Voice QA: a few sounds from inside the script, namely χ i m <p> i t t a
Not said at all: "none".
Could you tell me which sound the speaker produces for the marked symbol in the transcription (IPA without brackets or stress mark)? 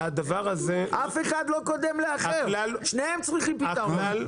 p